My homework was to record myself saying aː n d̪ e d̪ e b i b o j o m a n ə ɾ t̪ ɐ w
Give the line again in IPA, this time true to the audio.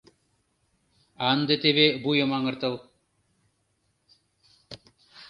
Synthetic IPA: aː n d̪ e t̪ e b e b u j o m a ŋ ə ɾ t̪ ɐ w